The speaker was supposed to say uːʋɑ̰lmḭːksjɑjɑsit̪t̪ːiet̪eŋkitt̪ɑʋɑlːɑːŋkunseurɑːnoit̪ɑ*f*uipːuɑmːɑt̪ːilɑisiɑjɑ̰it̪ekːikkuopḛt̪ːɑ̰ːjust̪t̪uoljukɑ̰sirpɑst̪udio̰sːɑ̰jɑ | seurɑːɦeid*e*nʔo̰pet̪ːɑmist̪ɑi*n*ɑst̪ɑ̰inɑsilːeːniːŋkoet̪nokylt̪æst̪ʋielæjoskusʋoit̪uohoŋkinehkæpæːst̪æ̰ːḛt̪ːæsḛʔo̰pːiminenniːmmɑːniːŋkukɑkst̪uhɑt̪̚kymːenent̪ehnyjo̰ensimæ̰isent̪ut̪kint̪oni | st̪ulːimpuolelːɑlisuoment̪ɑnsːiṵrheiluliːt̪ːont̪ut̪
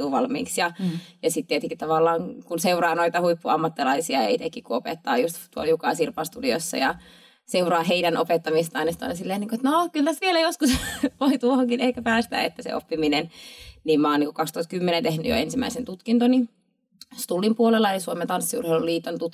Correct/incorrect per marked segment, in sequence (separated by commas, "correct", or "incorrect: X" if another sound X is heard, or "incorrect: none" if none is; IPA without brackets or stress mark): incorrect: h, incorrect: æ, correct